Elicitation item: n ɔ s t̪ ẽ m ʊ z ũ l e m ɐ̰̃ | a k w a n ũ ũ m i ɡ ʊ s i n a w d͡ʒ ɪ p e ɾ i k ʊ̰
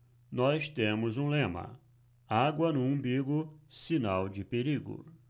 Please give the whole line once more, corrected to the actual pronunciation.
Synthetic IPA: n ɔ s t̪ ẽ m ʊ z ũ l ẽ m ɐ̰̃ | a ɡ w ɐ n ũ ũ b i ɡ ʊ s i n a w d͡ʒ ɪ p e ɾ i ɡ ʊ̰